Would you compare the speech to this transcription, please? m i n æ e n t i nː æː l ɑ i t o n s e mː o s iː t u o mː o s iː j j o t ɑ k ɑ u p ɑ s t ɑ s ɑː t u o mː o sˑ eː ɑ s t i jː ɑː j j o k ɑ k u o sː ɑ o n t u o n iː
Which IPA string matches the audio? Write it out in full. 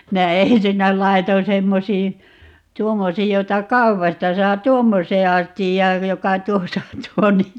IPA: m i n æ e n s i nː æ l ɑ i t o n s e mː o s iː t u o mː o s iː j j o t ɑ k ɑ u p ɑ s t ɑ s ɑː t u o mː o sˑ eː ɑ s t i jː ɑː j j o k ɑ t u o s ɑ o n t u o n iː